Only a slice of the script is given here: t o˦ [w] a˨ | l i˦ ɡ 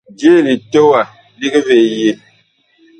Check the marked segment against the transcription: correct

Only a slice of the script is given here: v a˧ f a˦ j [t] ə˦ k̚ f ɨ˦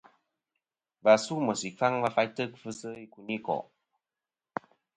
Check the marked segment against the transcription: correct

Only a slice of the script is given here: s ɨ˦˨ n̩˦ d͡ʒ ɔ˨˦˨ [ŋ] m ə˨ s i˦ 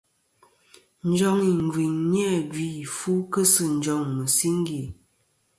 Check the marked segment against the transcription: correct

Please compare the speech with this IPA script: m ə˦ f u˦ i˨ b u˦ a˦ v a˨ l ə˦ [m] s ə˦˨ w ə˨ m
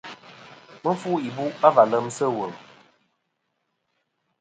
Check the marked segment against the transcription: correct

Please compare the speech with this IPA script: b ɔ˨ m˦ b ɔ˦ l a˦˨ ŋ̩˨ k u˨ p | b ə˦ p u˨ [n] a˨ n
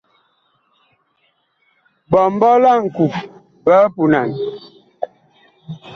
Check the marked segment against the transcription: correct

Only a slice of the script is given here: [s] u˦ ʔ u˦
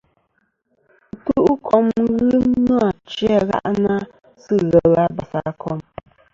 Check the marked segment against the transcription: incorrect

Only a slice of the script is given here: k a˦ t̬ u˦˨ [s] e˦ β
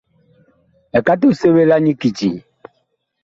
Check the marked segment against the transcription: correct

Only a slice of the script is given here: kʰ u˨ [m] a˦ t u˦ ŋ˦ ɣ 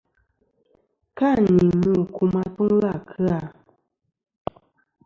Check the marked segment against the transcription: correct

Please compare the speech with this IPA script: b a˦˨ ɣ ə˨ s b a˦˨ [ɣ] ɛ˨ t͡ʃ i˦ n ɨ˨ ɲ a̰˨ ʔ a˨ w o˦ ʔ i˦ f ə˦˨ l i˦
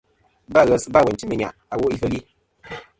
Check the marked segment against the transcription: incorrect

